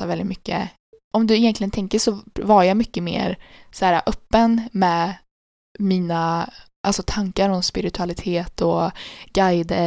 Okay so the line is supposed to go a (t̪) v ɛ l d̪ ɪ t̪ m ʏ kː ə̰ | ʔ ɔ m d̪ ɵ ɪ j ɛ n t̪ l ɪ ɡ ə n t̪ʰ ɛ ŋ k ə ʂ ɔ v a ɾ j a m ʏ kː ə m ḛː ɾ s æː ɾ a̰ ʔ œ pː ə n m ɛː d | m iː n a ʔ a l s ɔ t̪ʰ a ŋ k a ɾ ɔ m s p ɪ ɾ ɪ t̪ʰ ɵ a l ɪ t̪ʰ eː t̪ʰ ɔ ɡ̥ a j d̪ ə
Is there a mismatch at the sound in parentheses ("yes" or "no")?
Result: yes